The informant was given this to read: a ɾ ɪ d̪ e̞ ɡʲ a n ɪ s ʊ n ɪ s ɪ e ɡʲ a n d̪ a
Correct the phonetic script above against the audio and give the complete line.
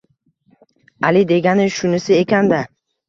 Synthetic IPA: a l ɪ d̪ e̞ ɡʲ a n ɪ ʃ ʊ n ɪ s ɪ e kʲ a n d̪ a